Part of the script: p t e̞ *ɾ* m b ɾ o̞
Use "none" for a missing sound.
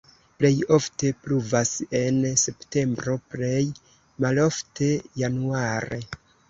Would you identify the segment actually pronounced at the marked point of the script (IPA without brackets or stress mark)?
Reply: none